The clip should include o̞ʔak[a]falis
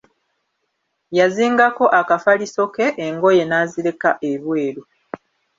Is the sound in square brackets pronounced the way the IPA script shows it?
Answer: yes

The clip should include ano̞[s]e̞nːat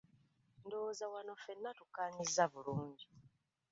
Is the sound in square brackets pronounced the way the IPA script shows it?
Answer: no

